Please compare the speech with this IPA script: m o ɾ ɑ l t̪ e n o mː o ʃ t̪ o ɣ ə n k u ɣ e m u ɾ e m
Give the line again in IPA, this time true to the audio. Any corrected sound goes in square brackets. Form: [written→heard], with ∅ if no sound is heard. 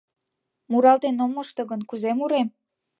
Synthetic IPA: m [o→u] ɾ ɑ l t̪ e n o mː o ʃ t̪ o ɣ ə n k u [ɣ→z] e m u ɾ e m